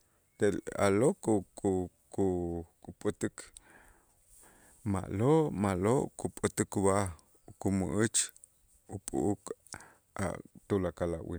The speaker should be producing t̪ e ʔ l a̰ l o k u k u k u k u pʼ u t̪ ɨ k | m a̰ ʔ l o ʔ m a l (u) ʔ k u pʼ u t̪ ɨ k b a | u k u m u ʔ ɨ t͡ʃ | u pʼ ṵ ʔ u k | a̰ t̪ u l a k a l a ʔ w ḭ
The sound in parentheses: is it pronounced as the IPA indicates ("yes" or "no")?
no